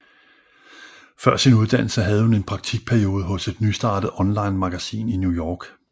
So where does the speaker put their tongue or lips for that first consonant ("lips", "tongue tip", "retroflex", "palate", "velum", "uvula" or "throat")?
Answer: lips